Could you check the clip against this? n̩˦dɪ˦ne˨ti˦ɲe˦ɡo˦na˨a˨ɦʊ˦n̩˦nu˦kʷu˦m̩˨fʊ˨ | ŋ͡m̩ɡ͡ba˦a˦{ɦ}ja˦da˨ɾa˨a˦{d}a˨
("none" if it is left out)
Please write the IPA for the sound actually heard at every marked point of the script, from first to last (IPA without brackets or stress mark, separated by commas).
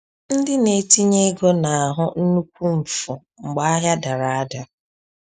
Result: ɦ, d